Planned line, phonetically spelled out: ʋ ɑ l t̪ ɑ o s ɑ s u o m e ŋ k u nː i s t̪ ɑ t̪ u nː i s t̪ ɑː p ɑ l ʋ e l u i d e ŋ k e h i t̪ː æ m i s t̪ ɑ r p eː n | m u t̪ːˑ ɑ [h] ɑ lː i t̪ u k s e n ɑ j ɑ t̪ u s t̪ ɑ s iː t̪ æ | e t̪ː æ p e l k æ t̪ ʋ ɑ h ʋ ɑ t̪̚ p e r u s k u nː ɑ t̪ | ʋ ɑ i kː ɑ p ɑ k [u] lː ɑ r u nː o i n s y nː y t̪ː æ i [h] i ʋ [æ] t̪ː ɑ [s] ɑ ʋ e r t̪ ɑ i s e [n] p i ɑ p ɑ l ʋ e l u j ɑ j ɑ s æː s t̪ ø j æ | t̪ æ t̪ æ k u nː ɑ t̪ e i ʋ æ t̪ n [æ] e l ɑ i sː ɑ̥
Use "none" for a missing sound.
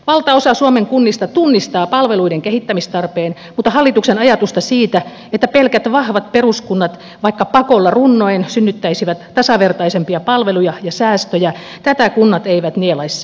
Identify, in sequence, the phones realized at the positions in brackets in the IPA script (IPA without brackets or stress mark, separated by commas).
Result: h, o, s, æ, s, m, i